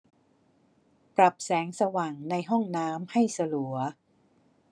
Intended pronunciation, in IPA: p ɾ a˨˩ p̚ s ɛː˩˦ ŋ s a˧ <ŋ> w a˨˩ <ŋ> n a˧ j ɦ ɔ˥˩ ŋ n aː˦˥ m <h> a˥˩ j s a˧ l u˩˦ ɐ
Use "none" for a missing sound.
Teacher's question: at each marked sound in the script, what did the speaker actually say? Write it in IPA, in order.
none, ŋ, h

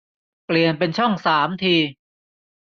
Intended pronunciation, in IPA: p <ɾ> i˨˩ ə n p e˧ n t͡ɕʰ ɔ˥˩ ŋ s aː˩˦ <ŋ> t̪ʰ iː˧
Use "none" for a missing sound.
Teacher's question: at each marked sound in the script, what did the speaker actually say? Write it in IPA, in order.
l, m

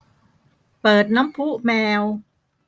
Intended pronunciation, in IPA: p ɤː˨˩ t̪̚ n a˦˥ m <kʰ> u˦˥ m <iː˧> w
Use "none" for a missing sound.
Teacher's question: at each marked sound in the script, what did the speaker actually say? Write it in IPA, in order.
pʰ, ɛː˧

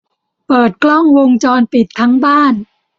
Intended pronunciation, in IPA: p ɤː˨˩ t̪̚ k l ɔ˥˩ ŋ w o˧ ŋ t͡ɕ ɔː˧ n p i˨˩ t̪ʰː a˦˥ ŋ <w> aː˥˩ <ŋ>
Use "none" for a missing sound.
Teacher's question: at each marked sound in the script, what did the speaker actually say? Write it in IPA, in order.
b, n

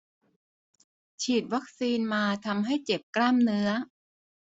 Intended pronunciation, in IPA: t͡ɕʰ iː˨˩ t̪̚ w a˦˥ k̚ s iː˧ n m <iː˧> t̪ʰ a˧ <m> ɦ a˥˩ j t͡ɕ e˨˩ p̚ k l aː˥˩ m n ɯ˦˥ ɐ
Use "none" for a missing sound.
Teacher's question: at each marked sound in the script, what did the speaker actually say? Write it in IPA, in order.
aː˧, m

